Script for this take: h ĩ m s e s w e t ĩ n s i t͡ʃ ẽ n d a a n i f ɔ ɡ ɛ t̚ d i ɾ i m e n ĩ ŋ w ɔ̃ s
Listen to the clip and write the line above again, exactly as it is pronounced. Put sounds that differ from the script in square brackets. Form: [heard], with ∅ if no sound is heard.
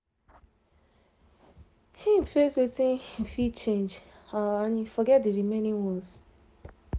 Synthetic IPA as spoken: h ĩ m [f] e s w e t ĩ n [f] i t͡ʃ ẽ n [d͡ʒ] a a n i f ɔ ɡ ɛ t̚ d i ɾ i m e n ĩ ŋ w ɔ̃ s